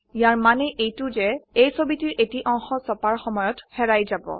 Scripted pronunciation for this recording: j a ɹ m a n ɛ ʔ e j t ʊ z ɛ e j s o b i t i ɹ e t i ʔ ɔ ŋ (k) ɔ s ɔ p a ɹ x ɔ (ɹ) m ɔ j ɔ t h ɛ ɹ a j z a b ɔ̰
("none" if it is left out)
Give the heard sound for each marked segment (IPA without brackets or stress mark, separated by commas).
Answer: x, none